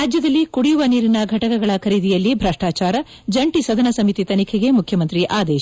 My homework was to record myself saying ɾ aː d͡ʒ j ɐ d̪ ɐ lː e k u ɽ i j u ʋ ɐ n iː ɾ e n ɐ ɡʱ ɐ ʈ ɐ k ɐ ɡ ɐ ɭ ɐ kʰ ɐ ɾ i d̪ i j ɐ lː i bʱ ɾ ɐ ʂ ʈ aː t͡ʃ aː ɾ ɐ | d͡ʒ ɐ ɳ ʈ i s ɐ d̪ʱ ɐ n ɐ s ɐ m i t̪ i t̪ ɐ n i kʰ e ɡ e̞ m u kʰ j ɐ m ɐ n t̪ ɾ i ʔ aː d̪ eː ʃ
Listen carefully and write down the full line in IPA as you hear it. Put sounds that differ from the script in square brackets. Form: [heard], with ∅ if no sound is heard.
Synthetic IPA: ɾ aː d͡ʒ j ɐ d̪ ɐ lː [i] k u ɽ i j u ʋ ɐ n iː ɾ [i] n ɐ ɡʱ ɐ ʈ ɐ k ɐ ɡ ɐ ɭ ɐ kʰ ɐ ɾ i d̪ i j ɐ lː i bʱ ɾ ɐ ʂ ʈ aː t͡ʃ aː ɾ ɐ | d͡ʒ ɐ ɳ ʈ i s ɐ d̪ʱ ɐ n ɐ s ɐ m i t̪ i t̪ ɐ n i kʰ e ɡ e̞ m u kʰ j ɐ m ɐ n t̪ ɾ i ʔ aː d̪ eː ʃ